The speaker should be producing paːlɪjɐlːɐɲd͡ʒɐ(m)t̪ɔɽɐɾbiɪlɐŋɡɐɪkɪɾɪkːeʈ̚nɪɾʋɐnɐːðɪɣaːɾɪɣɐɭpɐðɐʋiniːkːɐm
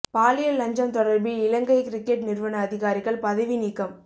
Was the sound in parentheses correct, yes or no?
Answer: yes